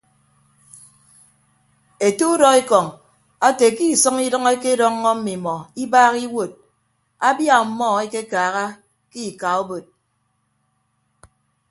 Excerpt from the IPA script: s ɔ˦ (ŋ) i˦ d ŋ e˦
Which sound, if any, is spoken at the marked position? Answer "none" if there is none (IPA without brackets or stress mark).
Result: ŋ